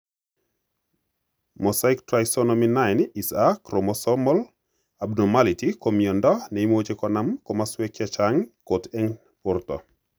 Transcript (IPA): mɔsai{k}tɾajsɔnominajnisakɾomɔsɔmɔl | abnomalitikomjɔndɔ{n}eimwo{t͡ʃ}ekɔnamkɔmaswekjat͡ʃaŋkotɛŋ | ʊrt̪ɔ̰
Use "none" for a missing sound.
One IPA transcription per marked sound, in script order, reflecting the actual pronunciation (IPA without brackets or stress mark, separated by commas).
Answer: k, n, t͡ʃ